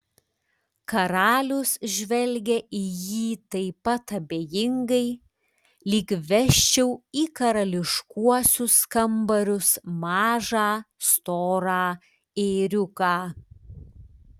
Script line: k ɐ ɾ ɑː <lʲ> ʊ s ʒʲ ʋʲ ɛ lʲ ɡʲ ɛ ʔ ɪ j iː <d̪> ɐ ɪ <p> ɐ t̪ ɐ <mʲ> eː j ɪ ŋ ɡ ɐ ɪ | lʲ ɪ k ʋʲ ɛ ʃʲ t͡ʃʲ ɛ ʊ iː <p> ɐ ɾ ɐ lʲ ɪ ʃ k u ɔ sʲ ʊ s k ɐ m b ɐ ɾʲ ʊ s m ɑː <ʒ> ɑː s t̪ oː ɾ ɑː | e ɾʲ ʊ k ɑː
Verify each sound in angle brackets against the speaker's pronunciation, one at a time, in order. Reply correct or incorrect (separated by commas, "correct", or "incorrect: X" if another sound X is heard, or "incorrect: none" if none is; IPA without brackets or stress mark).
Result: correct, incorrect: t̪, correct, incorrect: bʲ, incorrect: k, correct